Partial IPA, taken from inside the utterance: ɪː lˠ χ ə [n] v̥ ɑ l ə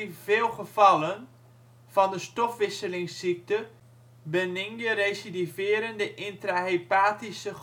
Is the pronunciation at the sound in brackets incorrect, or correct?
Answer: incorrect